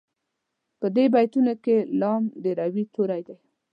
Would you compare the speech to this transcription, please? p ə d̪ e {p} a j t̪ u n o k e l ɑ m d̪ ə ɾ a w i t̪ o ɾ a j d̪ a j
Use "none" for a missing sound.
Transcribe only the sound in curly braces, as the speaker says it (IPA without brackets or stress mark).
b